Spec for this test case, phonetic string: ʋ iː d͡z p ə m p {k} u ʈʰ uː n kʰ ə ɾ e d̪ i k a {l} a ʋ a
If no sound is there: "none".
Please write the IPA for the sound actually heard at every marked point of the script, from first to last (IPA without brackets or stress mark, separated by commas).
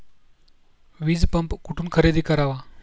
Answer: k, ɾ